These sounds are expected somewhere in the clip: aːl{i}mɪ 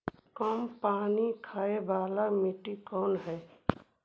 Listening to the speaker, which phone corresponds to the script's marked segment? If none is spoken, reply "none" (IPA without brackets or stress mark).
a